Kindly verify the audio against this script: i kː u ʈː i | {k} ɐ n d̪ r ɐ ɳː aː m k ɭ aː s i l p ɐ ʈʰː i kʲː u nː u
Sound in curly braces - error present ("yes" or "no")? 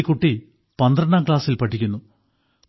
yes